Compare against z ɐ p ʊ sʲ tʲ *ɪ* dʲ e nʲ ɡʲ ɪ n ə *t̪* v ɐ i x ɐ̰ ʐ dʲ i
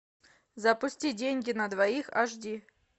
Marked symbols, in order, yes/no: no, no

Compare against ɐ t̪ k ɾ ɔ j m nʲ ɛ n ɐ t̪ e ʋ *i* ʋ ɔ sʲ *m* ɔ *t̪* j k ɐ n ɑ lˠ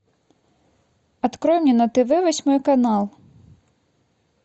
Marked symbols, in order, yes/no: no, yes, no

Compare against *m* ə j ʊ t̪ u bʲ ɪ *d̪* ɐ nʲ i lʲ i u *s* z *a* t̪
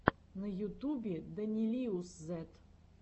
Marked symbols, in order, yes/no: no, yes, yes, no

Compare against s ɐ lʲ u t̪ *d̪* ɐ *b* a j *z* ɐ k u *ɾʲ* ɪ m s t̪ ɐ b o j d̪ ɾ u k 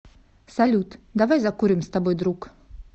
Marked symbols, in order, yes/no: yes, no, yes, yes

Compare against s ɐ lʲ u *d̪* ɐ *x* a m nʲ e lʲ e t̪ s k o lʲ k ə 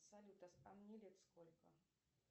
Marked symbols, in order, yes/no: no, no

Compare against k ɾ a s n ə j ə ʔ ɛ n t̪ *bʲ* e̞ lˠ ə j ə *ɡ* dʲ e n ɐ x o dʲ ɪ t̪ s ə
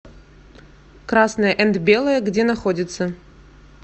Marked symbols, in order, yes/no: yes, yes

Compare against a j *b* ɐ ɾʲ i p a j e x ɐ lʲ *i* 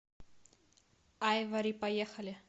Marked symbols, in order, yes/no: no, no

